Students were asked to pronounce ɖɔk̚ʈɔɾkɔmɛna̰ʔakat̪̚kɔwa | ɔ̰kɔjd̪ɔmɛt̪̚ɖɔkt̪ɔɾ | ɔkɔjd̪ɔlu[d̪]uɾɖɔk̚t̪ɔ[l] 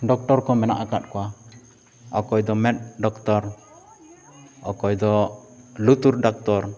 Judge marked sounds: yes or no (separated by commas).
no, no